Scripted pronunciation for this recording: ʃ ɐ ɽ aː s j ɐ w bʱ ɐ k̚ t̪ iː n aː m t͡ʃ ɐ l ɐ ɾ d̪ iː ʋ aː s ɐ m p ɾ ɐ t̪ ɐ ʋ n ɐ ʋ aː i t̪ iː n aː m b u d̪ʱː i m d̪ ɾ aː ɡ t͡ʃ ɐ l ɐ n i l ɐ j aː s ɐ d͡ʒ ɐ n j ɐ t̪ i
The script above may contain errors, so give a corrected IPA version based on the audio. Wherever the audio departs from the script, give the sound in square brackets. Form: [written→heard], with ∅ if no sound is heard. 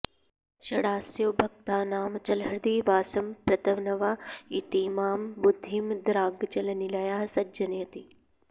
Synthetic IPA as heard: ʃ ɐ ɽ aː s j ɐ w bʱ ɐ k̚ t̪ [iː→aː] n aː m t͡ʃ ɐ l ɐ ɾ d̪ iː ʋ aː s ɐ m p ɾ ɐ t̪ ɐ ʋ n ɐ ʋ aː i t̪ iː [n→m] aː m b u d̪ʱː i m d̪ ɾ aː ɡ t͡ʃ ɐ l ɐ n i l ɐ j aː s ɐ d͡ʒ ɐ n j ɐ t̪ i

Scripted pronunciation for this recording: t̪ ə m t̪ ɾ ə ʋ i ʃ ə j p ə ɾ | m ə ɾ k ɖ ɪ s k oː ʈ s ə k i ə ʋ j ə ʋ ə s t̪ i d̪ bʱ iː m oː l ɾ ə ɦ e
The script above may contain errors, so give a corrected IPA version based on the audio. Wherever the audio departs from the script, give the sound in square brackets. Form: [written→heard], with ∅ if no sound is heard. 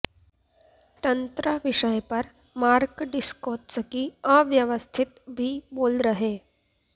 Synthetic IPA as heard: t̪ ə [m→n] t̪ ɾ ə ʋ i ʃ ə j p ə ɾ | m [ə→a] ɾ k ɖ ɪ s k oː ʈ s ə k i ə ʋ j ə ʋ ə s [t̪→t̪ʰ] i [d̪→t̪] bʱ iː [m→b] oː l ɾ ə ɦ e

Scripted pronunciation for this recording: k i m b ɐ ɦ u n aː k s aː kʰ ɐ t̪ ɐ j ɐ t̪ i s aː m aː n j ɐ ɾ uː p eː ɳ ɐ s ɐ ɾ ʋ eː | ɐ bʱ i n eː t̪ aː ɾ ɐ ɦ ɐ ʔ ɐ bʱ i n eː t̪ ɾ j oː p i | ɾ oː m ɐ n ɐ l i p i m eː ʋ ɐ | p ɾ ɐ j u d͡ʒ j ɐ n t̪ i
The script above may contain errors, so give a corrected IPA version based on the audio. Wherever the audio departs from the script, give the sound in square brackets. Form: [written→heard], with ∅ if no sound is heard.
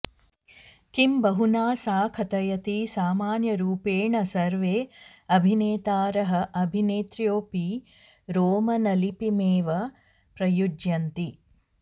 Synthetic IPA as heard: k i m b ɐ ɦ u n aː [k→∅] s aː kʰ ɐ t̪ ɐ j ɐ t̪ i s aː m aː n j ɐ ɾ uː p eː ɳ ɐ s ɐ ɾ ʋ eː | ɐ bʱ i n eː t̪ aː ɾ ɐ ɦ ɐ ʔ ɐ bʱ i n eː t̪ ɾ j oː p i | ɾ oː m ɐ n ɐ l i p i m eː ʋ ɐ | p ɾ ɐ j u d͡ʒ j ɐ n t̪ i

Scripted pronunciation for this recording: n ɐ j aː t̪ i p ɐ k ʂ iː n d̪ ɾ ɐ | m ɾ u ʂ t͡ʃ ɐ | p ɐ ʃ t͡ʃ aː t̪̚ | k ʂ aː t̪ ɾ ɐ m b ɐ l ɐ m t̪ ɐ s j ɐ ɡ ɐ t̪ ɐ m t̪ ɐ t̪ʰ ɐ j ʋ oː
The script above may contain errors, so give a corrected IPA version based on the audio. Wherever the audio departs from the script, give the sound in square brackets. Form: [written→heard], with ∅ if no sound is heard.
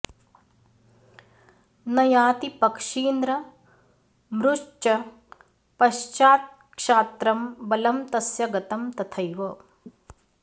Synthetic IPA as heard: n ɐ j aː t̪ i p ɐ k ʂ iː n d̪ ɾ ɐ | m ɾ u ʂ t͡ʃ ɐ | p ɐ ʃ t͡ʃ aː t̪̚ | k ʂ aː t̪ ɾ ɐ m b ɐ l ɐ m t̪ ɐ s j ɐ ɡ ɐ t̪ ɐ m t̪ ɐ t̪ʰ ɐ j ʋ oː

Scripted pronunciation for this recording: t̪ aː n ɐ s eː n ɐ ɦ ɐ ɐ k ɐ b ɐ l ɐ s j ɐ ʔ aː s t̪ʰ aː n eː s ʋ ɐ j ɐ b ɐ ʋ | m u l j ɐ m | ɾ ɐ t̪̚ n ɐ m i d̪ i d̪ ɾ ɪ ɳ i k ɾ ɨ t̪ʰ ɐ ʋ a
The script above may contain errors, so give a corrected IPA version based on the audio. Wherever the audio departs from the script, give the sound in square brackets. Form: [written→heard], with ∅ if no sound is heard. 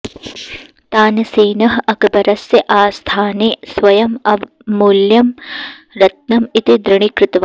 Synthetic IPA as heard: t̪ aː n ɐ s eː n ɐ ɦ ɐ ɐ k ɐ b ɐ [l→ɾ] ɐ s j ɐ ʔ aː s t̪ʰ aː n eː s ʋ ɐ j ɐ [b→m] ɐ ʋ | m u l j ɐ m | ɾ ɐ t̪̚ n ɐ m i [d̪→t̪] i d̪ ɾ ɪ ɳ i k ɾ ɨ [t̪ʰ→t̪] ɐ ʋ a

